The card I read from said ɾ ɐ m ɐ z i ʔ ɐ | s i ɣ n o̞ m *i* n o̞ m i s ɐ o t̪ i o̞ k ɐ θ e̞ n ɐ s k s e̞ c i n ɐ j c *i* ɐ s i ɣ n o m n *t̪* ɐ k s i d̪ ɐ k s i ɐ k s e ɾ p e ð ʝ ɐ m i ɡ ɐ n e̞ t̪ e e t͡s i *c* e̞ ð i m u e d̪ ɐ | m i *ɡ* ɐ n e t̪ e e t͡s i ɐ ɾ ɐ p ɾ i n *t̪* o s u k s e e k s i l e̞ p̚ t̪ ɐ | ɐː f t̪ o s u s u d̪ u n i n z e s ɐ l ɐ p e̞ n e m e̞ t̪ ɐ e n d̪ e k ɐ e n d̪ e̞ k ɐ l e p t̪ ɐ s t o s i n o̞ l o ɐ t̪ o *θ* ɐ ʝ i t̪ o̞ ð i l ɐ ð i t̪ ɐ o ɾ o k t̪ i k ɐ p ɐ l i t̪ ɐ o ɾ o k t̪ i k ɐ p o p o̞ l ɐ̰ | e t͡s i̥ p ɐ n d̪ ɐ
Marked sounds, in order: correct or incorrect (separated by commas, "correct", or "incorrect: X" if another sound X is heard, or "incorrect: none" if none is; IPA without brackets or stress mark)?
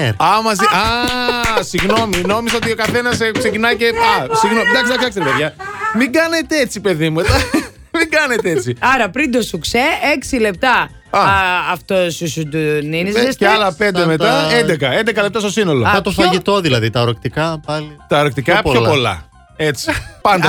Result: correct, incorrect: e, incorrect: d̪, incorrect: p, correct, incorrect: d̪, incorrect: f